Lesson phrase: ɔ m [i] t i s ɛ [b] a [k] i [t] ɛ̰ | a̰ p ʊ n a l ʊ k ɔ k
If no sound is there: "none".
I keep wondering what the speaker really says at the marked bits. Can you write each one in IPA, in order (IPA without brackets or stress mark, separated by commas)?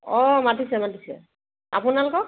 a, m, t, s